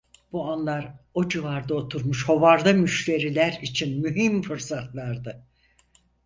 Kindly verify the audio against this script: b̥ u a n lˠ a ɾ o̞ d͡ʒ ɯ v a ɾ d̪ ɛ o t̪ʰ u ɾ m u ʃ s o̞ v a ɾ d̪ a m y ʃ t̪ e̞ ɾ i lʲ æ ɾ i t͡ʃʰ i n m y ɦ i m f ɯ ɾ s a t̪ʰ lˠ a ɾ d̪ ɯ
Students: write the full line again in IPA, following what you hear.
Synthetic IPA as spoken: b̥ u a n lˠ a ɾ o̞ d͡ʒ ɯ v a ɾ d̪ a o t̪ʰ u ɾ m u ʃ h o̞ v a ɾ d̪ a m y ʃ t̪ e̞ ɾ i lʲ æ ɾ i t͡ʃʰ i n m y ɦ i m f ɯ ɾ s a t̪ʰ lˠ a ɾ d̪ ɯ